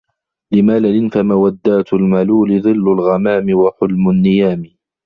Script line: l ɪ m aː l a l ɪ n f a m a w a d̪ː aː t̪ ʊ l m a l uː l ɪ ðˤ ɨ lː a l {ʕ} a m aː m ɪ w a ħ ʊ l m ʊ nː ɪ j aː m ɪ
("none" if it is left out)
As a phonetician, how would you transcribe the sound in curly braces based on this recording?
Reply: ɣ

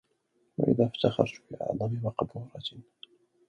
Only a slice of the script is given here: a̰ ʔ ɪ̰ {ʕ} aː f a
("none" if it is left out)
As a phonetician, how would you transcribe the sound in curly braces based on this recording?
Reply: ð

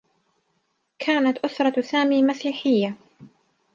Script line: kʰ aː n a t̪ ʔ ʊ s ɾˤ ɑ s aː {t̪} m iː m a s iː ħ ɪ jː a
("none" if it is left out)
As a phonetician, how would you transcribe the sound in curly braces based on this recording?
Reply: none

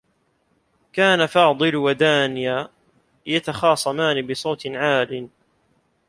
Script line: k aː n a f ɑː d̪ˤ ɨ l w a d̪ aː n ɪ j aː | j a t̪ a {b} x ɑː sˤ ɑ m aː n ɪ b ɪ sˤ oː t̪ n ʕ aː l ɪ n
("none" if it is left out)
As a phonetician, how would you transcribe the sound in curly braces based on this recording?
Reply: none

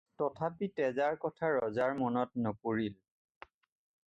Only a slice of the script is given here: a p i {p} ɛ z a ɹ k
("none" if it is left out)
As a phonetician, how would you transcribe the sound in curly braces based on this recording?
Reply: t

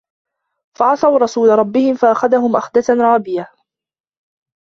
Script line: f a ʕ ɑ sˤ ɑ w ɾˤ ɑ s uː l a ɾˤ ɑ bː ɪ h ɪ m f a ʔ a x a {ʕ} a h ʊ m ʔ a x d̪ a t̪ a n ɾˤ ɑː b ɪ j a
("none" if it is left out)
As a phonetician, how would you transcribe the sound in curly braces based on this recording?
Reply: ð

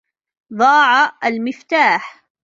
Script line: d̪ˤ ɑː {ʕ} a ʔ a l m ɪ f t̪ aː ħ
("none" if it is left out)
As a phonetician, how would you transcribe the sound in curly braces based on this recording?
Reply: ʕ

